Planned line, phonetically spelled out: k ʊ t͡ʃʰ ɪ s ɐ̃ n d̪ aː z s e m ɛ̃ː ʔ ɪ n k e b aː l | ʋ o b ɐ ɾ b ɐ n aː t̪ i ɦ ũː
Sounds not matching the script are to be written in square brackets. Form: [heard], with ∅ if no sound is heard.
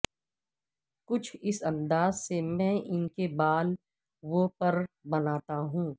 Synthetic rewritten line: k ʊ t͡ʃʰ ɪ s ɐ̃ n d̪ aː z s e m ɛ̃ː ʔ ɪ n k e b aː l | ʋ o [p] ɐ ɾ b ɐ n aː t̪ [a] ɦ ũː